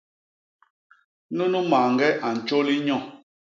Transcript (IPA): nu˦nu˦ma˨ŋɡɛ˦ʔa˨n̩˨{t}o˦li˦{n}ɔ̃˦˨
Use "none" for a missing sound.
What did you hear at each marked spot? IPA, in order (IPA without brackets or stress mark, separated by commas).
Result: t͡ʃ, ɲ